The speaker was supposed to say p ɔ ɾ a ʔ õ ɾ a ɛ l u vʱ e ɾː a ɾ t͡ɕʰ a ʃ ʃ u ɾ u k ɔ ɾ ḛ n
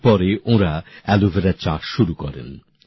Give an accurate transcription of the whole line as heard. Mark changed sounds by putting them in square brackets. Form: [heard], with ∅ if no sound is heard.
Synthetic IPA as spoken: p ɔ ɾ [e] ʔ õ ɾ a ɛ l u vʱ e [ɾ] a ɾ [t͡ɕ] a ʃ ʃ u ɾ u k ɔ ɾ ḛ n